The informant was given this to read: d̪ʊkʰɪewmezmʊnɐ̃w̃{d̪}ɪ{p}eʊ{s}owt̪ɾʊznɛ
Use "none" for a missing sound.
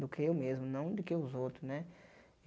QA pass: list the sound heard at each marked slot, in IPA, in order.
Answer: d̪, k, z

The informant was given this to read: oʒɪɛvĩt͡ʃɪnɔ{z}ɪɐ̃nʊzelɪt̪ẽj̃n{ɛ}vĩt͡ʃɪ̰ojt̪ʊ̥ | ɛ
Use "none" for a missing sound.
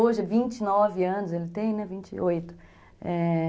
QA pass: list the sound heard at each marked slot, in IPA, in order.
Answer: v, ɛ

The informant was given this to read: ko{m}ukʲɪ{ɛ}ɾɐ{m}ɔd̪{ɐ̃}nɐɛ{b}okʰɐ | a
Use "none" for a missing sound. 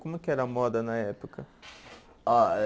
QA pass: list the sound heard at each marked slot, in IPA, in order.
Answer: m, ɛ, m, ɐ, p

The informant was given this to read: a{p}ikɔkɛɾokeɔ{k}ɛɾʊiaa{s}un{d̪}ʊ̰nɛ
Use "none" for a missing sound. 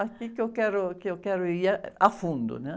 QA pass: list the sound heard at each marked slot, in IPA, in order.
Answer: k, k, f, d̪

